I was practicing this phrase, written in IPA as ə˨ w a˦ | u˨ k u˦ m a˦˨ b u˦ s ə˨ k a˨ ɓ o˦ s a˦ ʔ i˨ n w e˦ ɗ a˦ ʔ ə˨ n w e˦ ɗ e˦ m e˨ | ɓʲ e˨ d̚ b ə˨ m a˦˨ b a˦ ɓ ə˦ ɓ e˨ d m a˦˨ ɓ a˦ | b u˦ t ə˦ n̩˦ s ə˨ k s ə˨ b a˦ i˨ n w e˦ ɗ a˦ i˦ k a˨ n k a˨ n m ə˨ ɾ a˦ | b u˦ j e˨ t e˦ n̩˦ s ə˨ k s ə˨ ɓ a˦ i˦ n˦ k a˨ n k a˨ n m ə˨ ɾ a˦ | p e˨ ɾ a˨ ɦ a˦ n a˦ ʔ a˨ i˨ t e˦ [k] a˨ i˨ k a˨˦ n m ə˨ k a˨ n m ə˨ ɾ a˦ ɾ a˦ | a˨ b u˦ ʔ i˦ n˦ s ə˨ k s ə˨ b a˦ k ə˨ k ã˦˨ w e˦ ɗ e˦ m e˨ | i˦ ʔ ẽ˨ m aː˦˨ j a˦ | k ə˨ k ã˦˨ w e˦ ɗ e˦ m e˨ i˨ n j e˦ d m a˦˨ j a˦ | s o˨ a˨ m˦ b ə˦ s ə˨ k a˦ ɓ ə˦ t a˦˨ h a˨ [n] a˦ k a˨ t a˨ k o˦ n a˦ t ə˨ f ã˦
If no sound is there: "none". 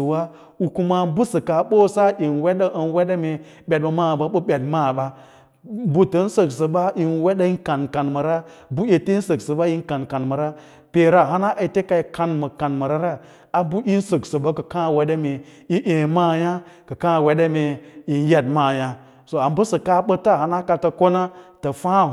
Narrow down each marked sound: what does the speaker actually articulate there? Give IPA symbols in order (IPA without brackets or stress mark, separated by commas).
k, n